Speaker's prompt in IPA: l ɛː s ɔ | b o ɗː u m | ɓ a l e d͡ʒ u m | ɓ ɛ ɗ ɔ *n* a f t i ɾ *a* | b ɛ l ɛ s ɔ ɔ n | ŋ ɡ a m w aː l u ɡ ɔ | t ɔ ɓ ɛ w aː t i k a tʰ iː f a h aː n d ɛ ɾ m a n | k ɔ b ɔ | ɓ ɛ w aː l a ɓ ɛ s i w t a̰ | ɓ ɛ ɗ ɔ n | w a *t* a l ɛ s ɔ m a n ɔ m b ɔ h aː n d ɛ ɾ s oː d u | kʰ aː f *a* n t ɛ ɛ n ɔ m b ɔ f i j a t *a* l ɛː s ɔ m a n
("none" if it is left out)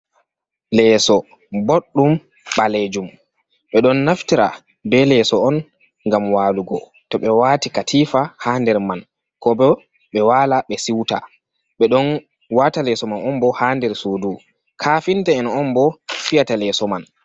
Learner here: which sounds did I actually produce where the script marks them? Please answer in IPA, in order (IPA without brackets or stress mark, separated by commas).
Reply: nː, a, t, i, a